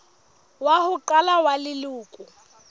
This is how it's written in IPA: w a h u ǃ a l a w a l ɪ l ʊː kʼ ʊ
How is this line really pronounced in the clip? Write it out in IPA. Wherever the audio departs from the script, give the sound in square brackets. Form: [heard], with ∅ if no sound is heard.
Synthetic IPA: w a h [ʊ] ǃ a l a w a l ɪ l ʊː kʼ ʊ